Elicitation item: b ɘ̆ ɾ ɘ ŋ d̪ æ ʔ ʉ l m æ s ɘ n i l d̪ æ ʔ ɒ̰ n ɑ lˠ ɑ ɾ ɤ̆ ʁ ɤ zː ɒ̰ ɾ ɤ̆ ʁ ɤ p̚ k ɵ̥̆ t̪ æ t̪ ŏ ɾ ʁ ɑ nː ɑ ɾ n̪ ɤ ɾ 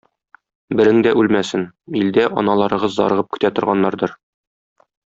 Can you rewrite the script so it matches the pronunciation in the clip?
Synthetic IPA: b ɘ̆ ɾ ɘ ŋ d̪ æ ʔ ʉ l m æ s ɘ n i l d̪ æ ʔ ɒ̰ n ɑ lˠ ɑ ɾ ɤ̆ ʁ ɤ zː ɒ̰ ɾ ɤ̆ ʁ ɤ p̚ k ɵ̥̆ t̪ æ t̪ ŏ ɾ ʁ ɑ nː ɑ ɾ d̪ ɤ ɾ

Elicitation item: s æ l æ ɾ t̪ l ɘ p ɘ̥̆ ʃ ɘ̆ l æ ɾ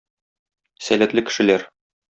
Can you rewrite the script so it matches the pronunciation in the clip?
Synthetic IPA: s æ l æ t̪ l ɘ k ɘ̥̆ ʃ ɘ̆ l æ ɾ

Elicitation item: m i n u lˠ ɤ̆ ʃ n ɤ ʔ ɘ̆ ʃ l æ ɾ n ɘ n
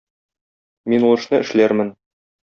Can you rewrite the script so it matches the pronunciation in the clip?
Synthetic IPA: m i n u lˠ ɤ̆ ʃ n ɤ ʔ ɘ̆ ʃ l æ ɾ m ɘ n

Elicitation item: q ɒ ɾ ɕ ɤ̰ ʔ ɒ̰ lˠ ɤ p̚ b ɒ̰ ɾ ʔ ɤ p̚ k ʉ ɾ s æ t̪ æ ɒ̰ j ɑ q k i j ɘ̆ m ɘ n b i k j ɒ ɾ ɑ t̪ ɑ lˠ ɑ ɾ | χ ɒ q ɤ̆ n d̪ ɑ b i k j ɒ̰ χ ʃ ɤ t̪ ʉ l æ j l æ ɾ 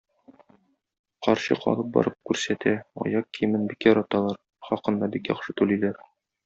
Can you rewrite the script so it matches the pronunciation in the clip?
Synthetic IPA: q ɒ ɾ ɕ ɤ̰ q ɒ̰ lˠ ɤ p̚ b ɒ̰ ɾ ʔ ɤ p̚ k ʉ ɾ s æ t̪ æ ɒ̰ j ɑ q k i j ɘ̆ m ɘ n b i k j ɒ ɾ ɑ t̪ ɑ lˠ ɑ ɾ | χ ɒ q ɤ̆ n d̪ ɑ b i k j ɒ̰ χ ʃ ɤ t̪ ʉ l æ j l æ ɾ

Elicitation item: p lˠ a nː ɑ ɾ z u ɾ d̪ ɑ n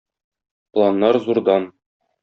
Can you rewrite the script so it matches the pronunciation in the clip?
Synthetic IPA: p lˠ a nː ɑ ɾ z u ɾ d̪ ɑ n

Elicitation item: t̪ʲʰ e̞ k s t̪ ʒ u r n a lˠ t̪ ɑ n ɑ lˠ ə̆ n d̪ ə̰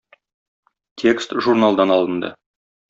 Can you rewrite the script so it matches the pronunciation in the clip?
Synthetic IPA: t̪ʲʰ e̞ k s t̪ ʒ u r n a lˠ d̪ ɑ n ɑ lˠ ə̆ n d̪ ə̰

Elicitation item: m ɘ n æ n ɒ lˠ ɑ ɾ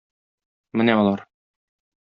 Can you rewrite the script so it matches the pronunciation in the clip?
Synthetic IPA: m ɘ n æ ɒ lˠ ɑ ɾ

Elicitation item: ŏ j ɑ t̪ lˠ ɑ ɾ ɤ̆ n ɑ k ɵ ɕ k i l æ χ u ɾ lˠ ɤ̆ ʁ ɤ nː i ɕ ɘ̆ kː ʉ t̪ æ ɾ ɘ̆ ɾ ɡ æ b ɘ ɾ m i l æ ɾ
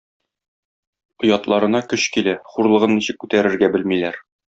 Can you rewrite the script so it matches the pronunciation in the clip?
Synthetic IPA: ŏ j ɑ t̪ lˠ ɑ ɾ ɤ̆ n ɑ k ɵ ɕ k i l æ χ u ɾ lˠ ɤ̆ ʁ ɤ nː i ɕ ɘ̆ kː ʉ t̪ æ ɾ ɘ̆ ɾ ɡ æ b ɘ l m i l æ ɾ

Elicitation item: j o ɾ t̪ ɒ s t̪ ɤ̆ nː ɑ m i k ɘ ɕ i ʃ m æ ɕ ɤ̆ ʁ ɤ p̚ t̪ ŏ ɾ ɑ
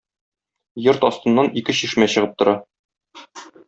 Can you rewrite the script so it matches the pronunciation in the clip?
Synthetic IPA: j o ɾ t̪ ɒ s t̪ ɤ̆ nː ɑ n i k ɘ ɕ i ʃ m æ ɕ ɤ̆ ʁ ɤ p̚ t̪ ŏ ɾ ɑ

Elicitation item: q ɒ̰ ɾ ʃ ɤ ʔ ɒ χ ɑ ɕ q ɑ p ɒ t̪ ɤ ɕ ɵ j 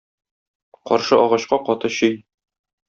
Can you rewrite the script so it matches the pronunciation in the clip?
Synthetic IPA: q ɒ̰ ɾ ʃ ɤ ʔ ɒ ʁ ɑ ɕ q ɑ q ɒ t̪ ɤ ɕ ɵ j

